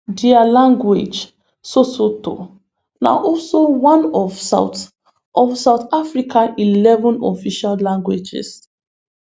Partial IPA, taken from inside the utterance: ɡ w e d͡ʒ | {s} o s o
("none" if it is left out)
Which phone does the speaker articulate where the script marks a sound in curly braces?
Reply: s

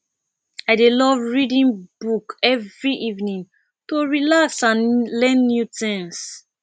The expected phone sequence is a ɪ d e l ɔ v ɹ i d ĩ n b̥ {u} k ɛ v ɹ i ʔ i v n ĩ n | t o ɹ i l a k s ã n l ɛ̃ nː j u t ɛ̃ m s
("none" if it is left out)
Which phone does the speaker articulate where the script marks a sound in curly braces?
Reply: u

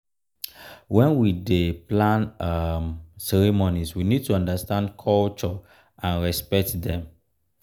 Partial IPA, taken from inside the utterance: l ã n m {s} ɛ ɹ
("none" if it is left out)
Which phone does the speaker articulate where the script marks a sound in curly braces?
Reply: s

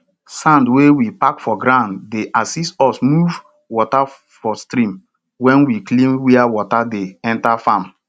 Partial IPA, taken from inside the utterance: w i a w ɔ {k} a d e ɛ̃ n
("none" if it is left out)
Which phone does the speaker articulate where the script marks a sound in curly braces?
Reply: t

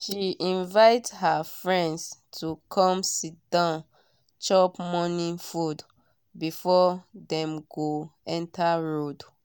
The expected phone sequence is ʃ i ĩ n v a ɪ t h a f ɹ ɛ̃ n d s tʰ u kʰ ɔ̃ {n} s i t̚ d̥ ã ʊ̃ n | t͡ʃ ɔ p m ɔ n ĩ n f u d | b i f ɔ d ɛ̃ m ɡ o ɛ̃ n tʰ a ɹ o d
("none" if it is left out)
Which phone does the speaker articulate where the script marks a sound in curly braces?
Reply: m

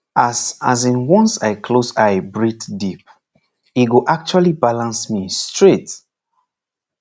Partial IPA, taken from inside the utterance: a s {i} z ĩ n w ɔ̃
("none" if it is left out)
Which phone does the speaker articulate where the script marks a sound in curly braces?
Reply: a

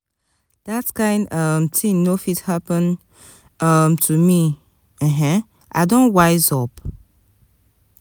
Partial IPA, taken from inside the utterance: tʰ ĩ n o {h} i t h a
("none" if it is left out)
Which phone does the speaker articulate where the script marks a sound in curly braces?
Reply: f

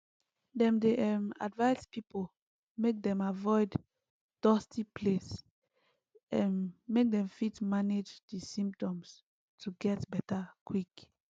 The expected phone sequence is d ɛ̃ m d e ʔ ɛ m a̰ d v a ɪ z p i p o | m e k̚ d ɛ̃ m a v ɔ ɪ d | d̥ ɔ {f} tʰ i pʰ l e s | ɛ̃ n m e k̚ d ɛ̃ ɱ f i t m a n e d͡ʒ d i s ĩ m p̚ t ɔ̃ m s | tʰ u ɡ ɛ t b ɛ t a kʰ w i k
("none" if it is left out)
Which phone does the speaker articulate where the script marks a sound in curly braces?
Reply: s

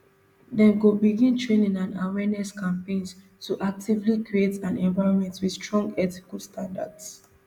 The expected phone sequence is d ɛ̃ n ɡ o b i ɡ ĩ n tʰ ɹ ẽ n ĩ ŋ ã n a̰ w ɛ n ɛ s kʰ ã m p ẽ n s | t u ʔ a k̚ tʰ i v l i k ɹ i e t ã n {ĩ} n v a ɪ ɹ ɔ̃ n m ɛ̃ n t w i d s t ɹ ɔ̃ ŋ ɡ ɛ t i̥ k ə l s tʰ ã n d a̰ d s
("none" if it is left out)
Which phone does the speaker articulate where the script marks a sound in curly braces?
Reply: ɛ̃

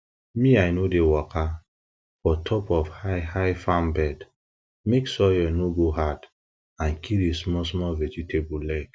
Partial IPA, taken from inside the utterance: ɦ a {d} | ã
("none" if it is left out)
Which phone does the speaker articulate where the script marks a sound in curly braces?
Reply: d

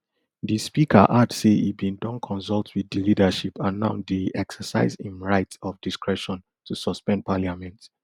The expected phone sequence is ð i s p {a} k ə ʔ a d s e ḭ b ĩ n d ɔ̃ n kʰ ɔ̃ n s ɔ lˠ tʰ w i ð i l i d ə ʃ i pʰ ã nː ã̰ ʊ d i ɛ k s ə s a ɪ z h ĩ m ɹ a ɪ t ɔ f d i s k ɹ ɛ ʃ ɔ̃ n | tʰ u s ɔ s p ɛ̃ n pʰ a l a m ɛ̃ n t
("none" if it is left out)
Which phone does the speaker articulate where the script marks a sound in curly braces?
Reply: i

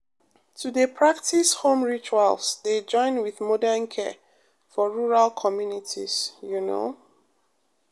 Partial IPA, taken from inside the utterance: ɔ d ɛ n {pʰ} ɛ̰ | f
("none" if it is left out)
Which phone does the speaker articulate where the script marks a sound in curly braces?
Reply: kʰ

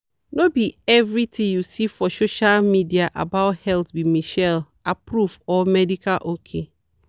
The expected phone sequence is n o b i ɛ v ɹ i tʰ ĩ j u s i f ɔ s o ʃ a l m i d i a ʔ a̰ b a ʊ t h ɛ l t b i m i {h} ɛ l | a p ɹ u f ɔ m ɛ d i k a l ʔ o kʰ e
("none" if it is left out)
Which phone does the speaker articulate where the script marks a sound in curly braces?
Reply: ʃ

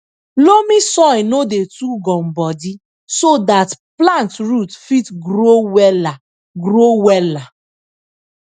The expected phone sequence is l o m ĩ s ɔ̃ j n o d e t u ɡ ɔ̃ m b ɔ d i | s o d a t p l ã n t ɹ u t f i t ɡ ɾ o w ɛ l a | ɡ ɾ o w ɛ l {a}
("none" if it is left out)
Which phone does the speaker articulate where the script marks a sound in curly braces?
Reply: a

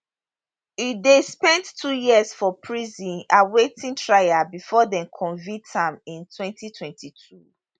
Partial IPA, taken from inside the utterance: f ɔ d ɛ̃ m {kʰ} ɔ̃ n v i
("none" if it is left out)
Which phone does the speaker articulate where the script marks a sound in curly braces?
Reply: kʰ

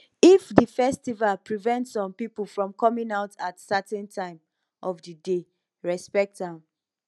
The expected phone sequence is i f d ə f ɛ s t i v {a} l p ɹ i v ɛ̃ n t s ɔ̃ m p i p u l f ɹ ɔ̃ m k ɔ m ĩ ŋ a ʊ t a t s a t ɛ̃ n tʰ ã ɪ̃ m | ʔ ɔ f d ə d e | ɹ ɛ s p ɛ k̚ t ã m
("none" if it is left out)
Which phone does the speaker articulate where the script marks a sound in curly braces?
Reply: a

